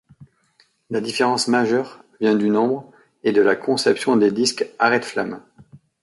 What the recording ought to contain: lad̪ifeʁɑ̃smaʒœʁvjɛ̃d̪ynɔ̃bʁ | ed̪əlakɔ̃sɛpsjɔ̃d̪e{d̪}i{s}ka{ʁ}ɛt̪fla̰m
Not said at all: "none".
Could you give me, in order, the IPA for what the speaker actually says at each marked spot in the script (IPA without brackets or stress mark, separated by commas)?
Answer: d̪, s, ʁ